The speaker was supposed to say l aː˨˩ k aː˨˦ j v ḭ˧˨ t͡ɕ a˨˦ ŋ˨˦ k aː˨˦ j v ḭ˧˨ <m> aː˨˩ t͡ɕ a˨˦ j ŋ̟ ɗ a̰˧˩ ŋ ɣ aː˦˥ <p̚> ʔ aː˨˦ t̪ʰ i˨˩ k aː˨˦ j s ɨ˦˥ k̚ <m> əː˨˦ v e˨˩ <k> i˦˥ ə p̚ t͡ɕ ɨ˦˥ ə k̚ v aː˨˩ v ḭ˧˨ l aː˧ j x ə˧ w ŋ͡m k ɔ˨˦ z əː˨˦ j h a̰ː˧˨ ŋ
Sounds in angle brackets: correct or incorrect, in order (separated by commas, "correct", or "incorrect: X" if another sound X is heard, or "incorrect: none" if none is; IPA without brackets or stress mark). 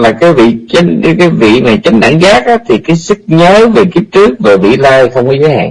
correct, incorrect: k̚, incorrect: ɲ, correct